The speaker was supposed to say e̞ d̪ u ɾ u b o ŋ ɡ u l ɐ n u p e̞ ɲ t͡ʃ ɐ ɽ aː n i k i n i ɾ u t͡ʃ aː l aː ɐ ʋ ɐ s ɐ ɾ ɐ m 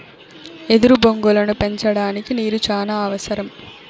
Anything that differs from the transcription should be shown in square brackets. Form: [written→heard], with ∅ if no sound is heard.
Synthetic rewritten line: e̞ d̪ u ɾ u b o ŋ ɡ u l ɐ n u p e̞ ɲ t͡ʃ ɐ ɽ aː n i k i n [i→iː] ɾ u t͡ʃ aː l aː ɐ ʋ ɐ s ɐ ɾ ɐ m